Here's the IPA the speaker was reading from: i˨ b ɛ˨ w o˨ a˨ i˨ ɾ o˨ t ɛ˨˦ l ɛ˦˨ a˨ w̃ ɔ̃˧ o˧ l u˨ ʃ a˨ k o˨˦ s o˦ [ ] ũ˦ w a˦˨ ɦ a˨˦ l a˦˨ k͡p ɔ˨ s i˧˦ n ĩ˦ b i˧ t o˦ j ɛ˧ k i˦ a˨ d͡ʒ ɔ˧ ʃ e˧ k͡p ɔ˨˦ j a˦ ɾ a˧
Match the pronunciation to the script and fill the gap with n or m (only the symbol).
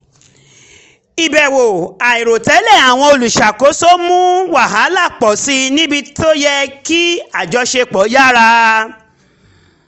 m